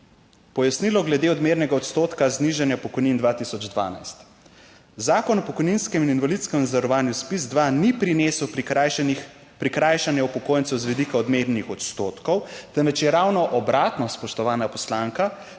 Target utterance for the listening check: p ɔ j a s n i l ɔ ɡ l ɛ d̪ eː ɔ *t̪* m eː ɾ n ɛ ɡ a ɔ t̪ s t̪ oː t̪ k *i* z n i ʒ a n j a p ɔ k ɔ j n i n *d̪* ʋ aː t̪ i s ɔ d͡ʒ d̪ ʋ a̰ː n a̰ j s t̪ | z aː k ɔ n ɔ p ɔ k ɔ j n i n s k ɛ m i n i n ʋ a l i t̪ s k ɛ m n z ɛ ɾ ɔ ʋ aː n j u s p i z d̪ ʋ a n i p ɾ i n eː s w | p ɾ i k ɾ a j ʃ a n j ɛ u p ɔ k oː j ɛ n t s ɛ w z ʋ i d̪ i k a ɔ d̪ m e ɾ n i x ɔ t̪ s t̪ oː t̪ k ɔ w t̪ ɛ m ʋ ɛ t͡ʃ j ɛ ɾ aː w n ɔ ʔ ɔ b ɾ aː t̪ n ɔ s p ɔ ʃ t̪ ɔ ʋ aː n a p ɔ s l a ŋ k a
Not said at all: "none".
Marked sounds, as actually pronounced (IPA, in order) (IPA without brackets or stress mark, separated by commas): d̪, a, d̪